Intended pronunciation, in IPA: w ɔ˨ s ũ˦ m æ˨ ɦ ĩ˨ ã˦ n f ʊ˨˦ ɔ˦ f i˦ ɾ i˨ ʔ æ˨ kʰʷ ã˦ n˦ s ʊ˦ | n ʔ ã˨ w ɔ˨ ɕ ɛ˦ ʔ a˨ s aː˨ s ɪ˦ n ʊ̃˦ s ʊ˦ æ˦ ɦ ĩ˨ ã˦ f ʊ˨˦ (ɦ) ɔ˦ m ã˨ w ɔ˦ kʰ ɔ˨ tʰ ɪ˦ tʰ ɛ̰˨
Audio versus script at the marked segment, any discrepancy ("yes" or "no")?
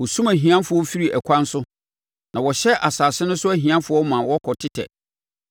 yes